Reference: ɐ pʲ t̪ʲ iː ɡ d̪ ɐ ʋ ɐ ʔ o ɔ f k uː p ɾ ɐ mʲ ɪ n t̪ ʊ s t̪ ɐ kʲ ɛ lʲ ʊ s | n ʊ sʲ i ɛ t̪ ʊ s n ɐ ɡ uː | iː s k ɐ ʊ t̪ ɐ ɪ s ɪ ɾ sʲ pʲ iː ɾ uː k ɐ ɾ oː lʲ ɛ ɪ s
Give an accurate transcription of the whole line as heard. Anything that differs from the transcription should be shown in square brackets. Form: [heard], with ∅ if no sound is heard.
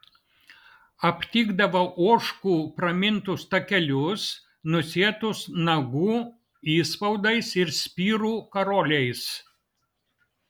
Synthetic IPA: ɐ pʲ t̪ʲ iː ɡ d̪ ɐ ʋ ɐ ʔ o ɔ [ʃ] k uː p ɾ ɐ mʲ ɪ n t̪ ʊ s t̪ ɐ kʲ ɛ lʲ ʊ s | n ʊ sʲ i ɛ t̪ ʊ s n ɐ ɡ uː | iː s [p] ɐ ʊ [d̪] ɐ ɪ s ɪ ɾ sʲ pʲ iː ɾ uː k ɐ ɾ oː lʲ ɛ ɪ s